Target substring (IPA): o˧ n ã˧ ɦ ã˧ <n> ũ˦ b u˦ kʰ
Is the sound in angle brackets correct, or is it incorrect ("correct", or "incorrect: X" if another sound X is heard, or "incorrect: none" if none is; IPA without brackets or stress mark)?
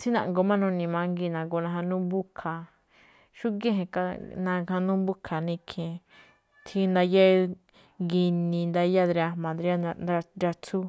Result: correct